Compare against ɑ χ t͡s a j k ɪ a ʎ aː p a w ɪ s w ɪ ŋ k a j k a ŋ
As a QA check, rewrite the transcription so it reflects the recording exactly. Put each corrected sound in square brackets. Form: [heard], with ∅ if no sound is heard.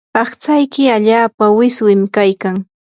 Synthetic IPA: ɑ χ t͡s a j k ɪ a ʎ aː p a w ɪ s w ɪ [m] k a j k a ŋ

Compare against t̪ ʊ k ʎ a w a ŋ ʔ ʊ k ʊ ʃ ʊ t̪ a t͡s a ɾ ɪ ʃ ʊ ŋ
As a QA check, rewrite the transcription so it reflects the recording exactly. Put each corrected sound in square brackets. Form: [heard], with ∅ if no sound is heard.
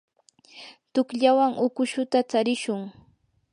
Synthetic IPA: t̪ ʊ k ʎ a w a ŋ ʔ ʊ k ʊ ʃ ʊ t̪ a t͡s a ɾ ɪ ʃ ʊ ŋ

